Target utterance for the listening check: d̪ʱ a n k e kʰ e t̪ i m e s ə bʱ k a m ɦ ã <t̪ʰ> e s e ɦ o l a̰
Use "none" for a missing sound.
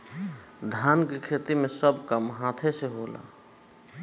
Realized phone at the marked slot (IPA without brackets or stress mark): t̪ʰ